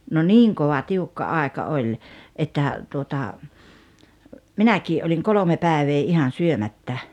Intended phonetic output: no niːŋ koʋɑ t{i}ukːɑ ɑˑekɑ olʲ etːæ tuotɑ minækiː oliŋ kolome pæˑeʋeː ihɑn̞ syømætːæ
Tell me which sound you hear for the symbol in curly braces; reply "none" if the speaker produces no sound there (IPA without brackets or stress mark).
i